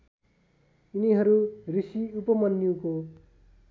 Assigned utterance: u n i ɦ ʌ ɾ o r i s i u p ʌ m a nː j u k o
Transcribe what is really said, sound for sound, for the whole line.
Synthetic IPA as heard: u n i ɦ ʌ ɾ u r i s i u p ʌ m ʌ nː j u k o

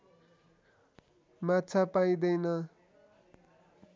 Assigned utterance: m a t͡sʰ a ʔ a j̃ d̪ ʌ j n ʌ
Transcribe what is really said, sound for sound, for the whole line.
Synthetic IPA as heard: m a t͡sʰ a p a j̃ d̪ ʌ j n ʌ

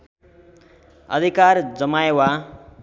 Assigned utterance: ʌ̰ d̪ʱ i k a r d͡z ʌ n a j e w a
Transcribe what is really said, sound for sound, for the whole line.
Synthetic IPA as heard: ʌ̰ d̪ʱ i k a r d͡z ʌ m a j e w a

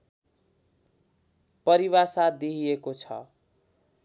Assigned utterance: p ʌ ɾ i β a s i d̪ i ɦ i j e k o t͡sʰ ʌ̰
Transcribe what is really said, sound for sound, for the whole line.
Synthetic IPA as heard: p ʌ ɾ i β a s a d̪ i ɦ i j e k o t͡sʰ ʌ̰

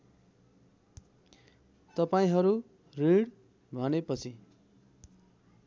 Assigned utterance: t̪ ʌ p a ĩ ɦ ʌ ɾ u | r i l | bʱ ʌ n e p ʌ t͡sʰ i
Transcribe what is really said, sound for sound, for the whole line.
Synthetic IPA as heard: t̪ ʌ p a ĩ ɦ ʌ ɾ u | r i ɽ | bʱ ʌ n e p ʌ t͡sʰ i

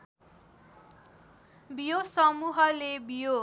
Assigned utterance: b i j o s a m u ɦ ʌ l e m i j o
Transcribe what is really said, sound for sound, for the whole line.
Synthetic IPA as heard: b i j o s ʌ m u ɦ ʌ l e b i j o

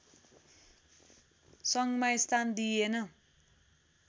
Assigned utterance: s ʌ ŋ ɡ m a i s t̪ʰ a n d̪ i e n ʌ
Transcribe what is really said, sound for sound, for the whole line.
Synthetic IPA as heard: s ʌ ŋ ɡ m a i s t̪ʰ a n d̪ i e n ʌ

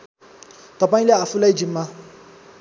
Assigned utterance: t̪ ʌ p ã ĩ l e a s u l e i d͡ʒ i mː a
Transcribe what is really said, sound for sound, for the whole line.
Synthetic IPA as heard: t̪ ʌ p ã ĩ l e a f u l a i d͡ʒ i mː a

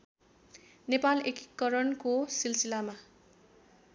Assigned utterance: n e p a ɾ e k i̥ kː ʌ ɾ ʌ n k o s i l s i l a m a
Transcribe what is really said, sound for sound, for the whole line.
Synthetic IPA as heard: n e p a l e k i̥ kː ʌ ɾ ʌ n k o s i l s i l a m a

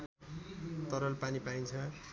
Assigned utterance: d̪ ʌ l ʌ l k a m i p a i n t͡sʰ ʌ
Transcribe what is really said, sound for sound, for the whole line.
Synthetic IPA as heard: t̪ ʌ ɾ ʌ l p a n i p a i n t͡sʰ ʌ

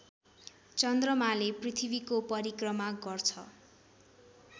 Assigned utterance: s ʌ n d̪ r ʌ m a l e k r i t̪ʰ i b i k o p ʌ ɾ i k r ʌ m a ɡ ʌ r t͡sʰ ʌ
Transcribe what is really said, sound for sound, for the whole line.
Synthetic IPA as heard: t͡s ʌ n d̪ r ʌ m a l e p r i t̪ʰ i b i k o p ʌ ɾ i k r ʌ m a ɡ ʌ r t͡sʰ ʌ

